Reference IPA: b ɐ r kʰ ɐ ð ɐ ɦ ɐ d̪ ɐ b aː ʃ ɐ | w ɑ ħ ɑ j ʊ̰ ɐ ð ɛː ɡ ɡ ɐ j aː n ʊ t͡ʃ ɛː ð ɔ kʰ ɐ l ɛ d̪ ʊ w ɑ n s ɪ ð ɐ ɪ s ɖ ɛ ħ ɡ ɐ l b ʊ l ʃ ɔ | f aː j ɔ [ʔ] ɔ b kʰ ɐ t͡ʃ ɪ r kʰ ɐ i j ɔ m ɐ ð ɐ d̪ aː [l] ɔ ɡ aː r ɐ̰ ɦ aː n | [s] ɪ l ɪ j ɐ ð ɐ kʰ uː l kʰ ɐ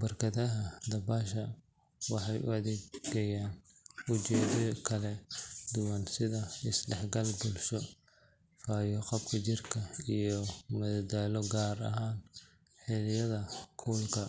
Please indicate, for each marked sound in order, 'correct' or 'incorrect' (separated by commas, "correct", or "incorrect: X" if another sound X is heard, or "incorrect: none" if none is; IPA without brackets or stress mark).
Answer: incorrect: q, correct, incorrect: ħ